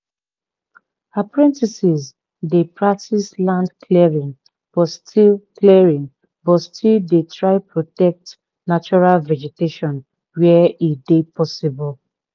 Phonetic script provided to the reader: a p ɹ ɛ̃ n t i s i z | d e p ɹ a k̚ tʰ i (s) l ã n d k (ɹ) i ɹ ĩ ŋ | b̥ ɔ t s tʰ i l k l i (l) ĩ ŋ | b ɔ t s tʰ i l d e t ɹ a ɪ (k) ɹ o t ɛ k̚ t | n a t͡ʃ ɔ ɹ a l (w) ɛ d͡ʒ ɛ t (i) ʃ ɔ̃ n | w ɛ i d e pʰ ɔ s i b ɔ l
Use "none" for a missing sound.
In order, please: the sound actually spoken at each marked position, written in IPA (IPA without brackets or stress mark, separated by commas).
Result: s, l, ɹ, p, v, e